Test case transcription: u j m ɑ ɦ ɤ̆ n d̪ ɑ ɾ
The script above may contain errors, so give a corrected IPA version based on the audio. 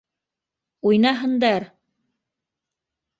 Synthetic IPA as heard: u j n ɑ ɦ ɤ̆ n d̪ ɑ ɾ